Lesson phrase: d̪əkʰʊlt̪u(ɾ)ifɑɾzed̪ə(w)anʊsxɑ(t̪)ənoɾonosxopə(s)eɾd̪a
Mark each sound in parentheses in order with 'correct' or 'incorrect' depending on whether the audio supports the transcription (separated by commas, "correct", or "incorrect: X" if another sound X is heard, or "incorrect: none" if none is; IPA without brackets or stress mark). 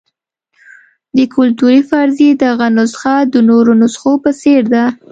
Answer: correct, incorrect: ɣ, incorrect: d̪, correct